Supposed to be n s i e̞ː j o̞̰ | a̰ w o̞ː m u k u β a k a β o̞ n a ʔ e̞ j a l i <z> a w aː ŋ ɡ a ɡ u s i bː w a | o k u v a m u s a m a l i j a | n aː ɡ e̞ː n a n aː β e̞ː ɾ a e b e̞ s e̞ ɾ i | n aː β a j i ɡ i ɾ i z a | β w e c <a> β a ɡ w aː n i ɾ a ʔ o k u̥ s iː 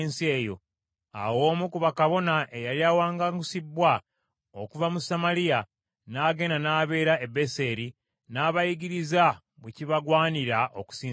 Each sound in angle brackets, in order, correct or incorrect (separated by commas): incorrect, incorrect